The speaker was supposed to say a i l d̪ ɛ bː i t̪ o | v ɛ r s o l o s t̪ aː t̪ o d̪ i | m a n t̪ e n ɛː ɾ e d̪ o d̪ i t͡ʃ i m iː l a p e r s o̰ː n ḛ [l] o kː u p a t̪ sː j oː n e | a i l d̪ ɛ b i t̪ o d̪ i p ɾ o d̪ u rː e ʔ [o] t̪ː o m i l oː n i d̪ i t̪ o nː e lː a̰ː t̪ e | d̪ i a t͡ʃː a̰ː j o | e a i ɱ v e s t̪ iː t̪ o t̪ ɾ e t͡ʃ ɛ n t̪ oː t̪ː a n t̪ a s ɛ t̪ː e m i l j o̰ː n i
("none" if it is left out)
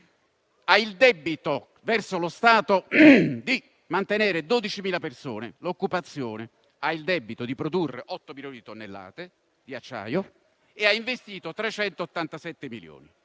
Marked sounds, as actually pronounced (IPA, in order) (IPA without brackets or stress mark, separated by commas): l, ɔ